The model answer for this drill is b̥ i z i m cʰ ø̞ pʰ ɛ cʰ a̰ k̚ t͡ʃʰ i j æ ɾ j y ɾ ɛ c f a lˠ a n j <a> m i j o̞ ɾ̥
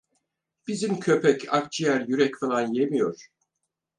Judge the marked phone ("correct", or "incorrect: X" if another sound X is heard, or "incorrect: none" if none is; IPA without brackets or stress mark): incorrect: e